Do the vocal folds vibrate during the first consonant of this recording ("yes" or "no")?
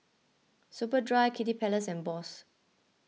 no